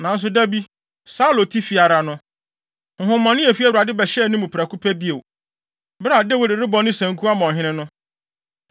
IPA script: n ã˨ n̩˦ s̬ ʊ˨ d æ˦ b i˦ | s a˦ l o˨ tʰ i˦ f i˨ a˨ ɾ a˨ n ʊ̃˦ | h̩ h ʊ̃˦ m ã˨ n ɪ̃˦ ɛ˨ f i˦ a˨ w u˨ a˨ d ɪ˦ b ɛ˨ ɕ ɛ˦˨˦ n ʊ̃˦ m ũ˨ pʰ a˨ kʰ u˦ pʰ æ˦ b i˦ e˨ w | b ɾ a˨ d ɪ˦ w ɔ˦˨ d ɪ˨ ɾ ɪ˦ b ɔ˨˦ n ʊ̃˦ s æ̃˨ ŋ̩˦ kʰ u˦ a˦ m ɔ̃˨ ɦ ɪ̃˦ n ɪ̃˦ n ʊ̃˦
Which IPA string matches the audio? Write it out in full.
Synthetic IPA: n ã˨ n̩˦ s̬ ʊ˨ d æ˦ b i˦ | s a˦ l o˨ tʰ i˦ f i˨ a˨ ɾ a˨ n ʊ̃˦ | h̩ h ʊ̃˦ m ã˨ n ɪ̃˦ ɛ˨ f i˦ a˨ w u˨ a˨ d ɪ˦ b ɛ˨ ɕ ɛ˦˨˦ n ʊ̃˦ m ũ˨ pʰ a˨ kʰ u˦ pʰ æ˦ b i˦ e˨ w | b ɾ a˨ d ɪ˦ w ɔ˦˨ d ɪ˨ ɾ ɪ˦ b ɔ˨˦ n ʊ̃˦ s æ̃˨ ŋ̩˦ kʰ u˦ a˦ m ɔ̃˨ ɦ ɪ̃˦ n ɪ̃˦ n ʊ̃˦